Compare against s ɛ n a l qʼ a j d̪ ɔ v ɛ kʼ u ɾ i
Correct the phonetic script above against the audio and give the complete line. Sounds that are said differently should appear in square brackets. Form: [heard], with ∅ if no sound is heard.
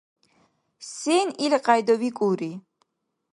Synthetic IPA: s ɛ n [i] l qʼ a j d̪ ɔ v [i] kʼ u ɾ i